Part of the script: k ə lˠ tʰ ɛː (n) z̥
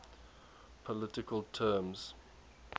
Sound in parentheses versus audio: incorrect: m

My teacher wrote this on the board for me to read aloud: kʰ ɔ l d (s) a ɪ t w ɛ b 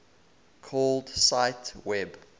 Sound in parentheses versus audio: correct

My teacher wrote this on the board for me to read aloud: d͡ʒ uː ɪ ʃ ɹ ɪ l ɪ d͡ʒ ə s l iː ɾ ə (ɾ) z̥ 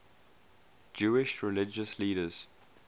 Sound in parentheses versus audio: incorrect: none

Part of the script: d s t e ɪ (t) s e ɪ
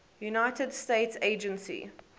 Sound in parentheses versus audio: correct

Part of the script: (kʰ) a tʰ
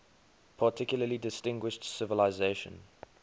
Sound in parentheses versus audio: incorrect: pʰ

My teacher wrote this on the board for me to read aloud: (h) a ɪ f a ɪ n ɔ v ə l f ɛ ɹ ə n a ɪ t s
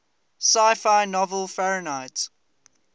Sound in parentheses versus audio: incorrect: s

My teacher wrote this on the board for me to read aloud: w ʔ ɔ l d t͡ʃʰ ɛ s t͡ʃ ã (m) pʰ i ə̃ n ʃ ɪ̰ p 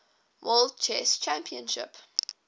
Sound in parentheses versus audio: correct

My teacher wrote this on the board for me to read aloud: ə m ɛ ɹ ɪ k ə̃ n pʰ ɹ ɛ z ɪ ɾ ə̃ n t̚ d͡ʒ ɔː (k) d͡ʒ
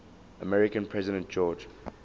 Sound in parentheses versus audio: incorrect: none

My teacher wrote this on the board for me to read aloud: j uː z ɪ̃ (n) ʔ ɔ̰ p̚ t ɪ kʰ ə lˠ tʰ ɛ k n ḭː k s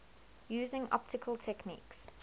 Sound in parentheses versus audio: incorrect: ŋ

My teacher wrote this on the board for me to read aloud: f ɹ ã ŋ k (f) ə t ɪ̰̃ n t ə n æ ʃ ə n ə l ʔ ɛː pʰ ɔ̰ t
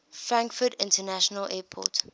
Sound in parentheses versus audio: correct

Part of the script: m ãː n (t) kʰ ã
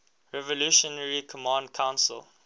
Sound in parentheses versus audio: incorrect: d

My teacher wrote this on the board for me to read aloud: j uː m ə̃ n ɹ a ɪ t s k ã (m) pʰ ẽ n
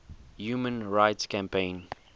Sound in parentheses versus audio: correct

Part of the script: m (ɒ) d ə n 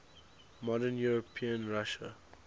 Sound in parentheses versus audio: incorrect: ɔ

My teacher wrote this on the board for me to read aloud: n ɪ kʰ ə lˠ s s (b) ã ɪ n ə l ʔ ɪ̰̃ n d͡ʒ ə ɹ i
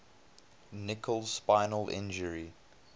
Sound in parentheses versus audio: incorrect: p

